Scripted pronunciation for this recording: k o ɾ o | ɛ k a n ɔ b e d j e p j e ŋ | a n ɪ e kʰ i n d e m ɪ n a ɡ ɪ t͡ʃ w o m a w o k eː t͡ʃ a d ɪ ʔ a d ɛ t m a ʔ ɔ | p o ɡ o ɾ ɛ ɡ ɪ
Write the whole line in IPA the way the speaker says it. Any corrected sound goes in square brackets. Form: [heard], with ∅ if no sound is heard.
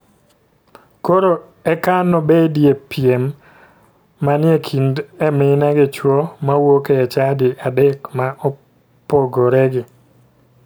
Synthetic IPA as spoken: k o ɾ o | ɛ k a n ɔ b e d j e p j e [m] | a n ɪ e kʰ i n d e m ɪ n a ɡ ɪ t͡ʃ w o m a w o k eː t͡ʃ a d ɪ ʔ a d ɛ [k] m a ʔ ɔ | p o ɡ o ɾ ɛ ɡ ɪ